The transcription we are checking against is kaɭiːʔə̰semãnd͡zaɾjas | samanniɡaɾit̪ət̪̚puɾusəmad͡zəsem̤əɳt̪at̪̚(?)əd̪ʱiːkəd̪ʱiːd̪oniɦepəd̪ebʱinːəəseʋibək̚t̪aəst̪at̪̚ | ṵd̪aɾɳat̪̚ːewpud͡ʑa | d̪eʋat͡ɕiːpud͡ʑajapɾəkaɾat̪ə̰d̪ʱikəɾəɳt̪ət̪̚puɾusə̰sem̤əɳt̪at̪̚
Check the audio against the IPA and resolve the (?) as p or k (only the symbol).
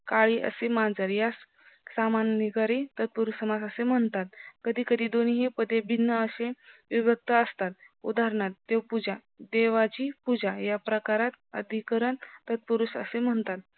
k